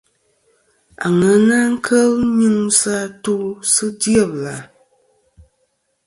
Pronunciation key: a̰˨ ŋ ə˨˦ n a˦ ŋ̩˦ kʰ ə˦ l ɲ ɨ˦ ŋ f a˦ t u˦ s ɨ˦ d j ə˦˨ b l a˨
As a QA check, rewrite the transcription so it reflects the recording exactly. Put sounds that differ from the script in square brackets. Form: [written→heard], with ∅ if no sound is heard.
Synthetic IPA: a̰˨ ŋ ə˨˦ n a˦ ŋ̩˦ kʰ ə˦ l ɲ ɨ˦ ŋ [f→s] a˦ t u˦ s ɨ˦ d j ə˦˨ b l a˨